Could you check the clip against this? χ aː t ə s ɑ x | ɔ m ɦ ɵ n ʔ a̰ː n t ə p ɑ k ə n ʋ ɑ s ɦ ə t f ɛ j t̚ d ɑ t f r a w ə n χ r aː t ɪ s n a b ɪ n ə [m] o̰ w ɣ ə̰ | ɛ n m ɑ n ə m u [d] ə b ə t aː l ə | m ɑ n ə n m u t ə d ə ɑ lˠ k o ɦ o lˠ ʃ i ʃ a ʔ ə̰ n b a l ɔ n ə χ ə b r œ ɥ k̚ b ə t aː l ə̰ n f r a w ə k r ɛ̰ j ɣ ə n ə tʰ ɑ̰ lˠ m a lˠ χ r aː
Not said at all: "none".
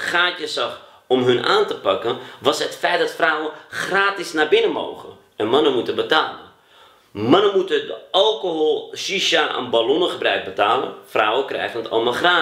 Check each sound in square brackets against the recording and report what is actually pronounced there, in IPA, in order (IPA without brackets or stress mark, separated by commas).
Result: m, t